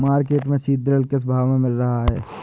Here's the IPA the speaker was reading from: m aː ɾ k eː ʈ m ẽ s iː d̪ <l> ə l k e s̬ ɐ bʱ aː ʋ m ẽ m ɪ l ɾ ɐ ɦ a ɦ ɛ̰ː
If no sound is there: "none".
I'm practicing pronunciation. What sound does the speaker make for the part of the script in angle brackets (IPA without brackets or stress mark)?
ɾ